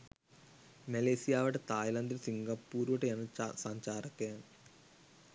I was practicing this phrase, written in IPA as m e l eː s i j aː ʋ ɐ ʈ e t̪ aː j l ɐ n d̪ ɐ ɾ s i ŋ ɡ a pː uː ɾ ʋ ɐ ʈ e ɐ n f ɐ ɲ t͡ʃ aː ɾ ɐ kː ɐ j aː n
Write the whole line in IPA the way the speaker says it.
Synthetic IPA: m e l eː s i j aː ʋ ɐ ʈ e t̪ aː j l ɐ n d̪ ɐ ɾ s i ŋ ɡ ɐ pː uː ɾ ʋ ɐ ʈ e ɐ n s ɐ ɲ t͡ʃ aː ɾ ɐ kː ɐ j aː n